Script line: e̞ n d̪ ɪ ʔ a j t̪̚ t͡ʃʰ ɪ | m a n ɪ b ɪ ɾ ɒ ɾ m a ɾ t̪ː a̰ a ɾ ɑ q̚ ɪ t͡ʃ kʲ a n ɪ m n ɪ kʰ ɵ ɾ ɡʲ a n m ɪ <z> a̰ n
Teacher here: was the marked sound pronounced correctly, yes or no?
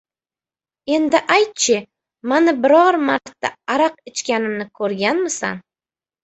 no